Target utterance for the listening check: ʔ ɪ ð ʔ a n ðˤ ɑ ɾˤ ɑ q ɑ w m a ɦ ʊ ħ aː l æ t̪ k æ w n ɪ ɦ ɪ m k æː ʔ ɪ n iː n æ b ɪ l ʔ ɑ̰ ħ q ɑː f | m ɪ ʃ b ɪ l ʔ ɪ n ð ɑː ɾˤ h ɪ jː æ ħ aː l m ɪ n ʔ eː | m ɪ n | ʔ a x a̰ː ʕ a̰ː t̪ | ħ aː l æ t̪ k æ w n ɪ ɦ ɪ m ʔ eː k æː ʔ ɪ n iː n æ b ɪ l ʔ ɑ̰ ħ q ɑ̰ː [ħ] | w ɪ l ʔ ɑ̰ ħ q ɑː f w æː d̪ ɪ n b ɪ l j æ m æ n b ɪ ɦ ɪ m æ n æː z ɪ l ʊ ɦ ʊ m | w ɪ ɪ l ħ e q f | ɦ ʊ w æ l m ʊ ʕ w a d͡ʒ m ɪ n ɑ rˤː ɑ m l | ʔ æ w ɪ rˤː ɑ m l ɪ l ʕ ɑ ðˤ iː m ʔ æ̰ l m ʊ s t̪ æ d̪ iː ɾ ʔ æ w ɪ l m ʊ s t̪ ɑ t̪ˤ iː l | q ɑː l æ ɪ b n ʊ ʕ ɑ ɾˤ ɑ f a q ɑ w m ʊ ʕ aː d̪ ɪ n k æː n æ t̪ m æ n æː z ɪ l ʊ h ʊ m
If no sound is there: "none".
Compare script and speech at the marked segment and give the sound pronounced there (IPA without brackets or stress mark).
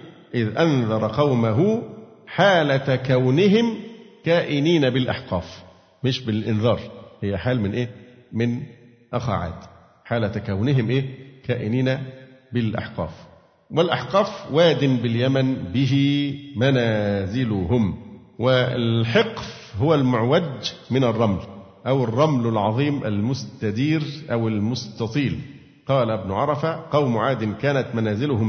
f